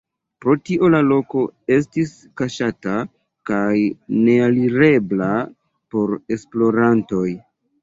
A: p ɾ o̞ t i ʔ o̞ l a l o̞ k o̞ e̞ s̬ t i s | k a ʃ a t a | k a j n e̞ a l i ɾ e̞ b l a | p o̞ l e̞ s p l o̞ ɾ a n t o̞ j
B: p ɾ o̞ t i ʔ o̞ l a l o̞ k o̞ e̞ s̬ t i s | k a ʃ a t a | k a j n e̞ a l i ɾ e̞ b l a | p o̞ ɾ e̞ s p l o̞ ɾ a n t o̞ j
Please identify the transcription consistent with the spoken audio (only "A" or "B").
B